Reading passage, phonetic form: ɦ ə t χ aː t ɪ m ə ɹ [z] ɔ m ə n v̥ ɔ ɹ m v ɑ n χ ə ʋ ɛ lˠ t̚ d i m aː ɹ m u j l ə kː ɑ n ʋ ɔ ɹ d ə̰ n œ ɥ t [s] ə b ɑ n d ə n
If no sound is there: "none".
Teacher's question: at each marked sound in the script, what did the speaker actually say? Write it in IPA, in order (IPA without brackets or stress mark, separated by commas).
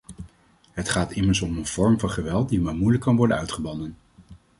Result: s, χ